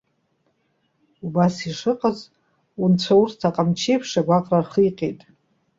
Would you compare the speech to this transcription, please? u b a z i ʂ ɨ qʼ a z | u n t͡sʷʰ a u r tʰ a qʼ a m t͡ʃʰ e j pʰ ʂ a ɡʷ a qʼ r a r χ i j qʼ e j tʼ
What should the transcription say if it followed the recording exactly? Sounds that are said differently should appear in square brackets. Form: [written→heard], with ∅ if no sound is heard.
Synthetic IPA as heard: u b a [z→s] i ʂ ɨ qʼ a z | u n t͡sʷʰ a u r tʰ a qʼ a m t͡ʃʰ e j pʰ ʂ a ɡʷ a qʼ r a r χ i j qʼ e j tʼ